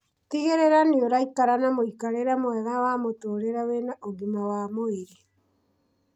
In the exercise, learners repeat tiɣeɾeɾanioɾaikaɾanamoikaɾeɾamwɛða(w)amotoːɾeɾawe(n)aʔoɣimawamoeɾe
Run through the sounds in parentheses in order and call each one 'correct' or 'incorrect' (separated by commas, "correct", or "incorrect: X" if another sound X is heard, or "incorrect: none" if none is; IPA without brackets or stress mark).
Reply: correct, correct